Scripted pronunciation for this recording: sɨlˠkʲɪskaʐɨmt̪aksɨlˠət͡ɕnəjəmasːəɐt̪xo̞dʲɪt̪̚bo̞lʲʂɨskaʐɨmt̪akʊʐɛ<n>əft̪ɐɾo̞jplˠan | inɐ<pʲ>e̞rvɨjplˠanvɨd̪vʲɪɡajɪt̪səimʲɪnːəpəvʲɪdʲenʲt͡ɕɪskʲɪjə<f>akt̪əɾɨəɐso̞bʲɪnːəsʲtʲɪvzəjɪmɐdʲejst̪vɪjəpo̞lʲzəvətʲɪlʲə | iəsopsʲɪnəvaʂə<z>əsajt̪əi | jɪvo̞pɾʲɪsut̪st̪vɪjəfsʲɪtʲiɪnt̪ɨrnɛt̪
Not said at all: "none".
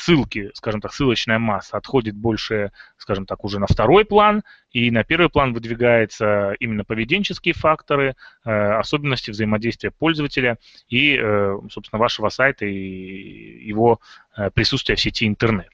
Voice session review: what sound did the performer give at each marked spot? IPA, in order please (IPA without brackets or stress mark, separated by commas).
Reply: n, pʲ, f, v